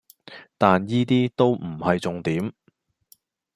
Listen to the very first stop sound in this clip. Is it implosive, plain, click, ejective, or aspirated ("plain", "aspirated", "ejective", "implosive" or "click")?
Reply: plain